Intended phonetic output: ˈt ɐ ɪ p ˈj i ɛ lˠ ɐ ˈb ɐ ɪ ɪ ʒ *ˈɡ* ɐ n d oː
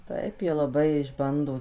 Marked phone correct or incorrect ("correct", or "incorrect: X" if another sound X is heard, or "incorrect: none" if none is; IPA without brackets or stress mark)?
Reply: incorrect: b